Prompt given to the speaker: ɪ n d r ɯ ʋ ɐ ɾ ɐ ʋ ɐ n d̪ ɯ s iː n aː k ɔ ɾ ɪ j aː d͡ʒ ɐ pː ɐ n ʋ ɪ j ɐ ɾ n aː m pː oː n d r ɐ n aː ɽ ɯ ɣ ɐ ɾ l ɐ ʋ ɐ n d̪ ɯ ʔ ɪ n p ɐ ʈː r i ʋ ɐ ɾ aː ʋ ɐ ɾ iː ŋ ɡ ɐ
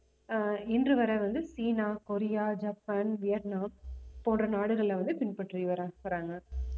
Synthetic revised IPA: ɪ n d r ɯ ʋ ɐ ɾ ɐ ʋ ɐ n d̪ ɯ s iː n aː k ɔ ɾ ɪ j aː d͡ʒ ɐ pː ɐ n ʋ ɪ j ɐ ɾ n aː m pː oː n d r ɐ n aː ɽ ɯ ɣ ɐ ɭ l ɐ ʋ ɐ n d̪ ɯ p ɪ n p ɐ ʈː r i ʋ ɐ ɾ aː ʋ ɐ ɾ aː ŋ ɡ ɐ